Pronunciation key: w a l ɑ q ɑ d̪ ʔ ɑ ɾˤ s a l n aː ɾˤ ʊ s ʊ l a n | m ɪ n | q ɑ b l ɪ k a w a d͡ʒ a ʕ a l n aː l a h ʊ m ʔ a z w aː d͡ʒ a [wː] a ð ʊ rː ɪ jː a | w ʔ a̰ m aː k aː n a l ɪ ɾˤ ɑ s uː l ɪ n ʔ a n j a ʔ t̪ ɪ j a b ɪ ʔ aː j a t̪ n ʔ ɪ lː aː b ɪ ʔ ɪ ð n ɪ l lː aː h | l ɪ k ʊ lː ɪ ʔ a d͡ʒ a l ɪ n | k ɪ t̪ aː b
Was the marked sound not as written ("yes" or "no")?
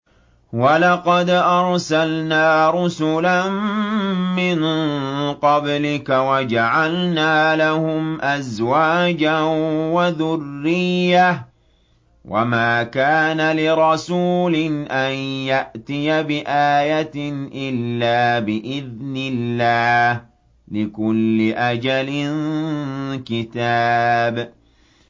yes